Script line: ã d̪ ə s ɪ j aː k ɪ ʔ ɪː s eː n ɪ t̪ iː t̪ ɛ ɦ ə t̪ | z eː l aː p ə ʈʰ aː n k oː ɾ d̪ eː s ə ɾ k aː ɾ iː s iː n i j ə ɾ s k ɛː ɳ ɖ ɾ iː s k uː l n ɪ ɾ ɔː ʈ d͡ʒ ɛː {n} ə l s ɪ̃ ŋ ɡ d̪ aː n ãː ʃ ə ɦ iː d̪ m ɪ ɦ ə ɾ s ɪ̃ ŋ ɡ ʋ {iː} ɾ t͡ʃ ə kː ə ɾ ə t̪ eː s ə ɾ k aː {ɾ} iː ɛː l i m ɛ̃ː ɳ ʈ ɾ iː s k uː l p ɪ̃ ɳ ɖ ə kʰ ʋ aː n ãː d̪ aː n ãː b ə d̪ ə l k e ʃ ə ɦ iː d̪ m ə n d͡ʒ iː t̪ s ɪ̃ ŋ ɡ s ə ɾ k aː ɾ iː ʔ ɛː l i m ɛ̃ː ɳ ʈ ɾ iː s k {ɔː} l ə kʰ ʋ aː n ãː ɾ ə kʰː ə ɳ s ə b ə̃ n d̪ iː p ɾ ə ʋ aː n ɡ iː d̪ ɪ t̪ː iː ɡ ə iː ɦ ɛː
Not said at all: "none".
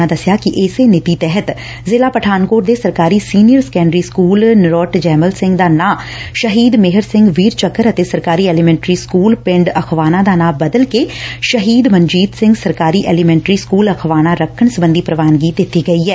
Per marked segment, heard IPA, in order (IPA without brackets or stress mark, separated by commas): m, iː, ɾ, uː